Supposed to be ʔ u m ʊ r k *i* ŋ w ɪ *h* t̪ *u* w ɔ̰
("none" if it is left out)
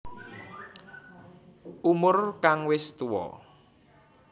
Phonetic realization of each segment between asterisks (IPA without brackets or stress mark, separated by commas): a, s, u